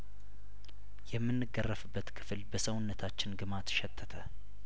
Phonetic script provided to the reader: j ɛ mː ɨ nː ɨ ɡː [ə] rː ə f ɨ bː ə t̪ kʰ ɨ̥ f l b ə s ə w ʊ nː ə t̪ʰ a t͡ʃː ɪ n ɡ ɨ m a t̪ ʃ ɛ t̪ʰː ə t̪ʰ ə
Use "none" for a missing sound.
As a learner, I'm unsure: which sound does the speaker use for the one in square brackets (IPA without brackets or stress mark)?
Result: ə